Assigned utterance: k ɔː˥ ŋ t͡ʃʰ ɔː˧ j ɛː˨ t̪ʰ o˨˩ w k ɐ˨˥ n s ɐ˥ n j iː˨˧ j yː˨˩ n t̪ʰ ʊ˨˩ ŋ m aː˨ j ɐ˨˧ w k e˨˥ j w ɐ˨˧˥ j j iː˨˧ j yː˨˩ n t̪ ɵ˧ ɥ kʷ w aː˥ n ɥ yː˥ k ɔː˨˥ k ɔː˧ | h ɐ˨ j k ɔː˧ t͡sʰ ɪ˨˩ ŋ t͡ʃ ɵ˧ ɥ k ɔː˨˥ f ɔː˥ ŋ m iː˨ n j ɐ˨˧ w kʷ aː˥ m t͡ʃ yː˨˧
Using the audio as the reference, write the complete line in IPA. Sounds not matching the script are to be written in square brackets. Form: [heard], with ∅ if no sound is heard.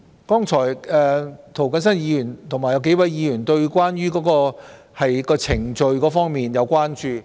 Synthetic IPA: k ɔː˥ ŋ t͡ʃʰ [ɔː˨˩] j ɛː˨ t̪ʰ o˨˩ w k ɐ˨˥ n s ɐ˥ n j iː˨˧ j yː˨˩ n t̪ʰ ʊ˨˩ ŋ m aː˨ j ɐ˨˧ w k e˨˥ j w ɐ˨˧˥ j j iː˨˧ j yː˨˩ n t̪ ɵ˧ ɥ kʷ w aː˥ n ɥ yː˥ k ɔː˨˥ k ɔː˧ | h ɐ˨ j k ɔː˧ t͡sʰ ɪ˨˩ ŋ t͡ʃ ɵ˧ ɥ k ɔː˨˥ f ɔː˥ ŋ m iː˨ n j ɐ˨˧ w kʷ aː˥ [n] t͡ʃ yː˨˧